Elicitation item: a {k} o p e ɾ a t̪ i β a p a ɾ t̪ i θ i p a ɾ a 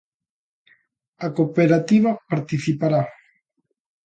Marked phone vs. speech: correct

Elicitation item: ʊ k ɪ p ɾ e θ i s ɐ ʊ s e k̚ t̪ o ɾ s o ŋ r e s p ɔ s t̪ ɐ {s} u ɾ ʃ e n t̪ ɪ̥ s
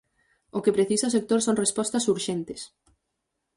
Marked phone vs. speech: correct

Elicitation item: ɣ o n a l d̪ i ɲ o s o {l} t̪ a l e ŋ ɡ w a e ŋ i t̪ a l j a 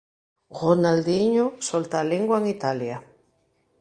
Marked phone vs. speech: correct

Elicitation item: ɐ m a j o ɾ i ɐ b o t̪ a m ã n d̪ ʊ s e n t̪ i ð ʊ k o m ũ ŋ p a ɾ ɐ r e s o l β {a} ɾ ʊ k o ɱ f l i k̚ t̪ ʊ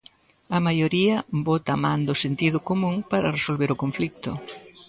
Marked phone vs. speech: incorrect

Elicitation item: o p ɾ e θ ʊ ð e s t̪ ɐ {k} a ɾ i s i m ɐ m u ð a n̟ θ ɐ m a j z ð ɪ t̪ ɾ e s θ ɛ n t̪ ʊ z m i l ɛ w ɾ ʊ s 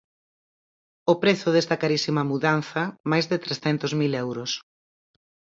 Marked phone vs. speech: correct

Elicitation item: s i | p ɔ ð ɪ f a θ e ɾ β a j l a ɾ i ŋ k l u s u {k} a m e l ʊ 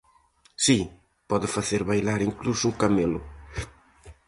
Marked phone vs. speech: correct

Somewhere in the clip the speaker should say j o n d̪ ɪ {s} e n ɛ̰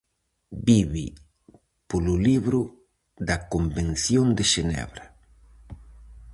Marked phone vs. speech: incorrect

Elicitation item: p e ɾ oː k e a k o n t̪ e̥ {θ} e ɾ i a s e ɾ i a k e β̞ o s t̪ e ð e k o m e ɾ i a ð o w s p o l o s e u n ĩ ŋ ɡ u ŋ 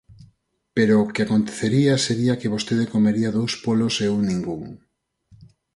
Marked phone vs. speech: correct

